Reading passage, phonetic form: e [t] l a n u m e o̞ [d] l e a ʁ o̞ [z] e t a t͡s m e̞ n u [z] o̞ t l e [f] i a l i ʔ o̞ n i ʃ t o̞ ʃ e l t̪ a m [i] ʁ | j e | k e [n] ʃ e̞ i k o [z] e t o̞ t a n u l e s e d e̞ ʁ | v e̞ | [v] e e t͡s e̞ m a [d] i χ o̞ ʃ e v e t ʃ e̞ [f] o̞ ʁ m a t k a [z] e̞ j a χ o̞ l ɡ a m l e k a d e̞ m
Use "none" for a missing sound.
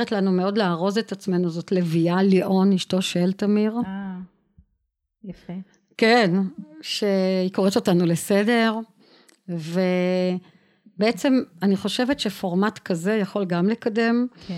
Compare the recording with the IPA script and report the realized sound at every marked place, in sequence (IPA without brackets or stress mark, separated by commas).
t, d, z, z, v, i, n, ʁ, b, n, f, z